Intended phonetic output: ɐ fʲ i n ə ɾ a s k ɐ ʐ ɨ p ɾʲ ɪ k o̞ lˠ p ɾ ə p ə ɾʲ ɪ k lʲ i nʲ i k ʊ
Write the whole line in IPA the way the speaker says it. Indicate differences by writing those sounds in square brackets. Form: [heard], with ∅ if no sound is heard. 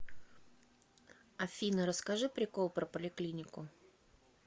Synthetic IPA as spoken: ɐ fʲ i n ə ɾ [ə] s k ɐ ʐ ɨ p ɾʲ ɪ k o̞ lˠ p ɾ ə p ə [lʲ] ɪ k lʲ i nʲ [ɪ] k ʊ